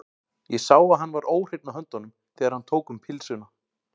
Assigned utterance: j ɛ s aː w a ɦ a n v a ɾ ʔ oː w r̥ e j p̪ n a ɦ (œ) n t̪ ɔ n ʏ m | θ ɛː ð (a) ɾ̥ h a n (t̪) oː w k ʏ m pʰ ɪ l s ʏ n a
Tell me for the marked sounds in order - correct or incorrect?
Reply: correct, correct, incorrect

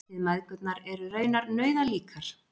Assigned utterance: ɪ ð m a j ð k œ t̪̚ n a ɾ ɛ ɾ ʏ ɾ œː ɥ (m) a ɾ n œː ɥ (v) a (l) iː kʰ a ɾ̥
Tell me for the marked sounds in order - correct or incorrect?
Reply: incorrect, incorrect, correct

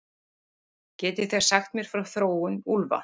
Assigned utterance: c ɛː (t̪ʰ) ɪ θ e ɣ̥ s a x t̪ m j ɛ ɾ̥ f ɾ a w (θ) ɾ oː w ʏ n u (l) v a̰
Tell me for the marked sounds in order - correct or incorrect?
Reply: incorrect, correct, correct

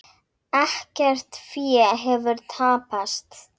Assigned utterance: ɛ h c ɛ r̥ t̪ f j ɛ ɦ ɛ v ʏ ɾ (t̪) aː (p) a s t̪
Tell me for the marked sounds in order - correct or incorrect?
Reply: incorrect, correct

